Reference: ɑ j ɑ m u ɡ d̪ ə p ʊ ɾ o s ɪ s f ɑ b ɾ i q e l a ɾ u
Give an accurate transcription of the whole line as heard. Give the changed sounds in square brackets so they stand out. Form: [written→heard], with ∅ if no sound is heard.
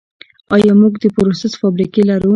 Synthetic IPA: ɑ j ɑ m u ɡ d̪ ə p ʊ ɾ o s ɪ s f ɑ b ɾ i [q→k] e l a ɾ u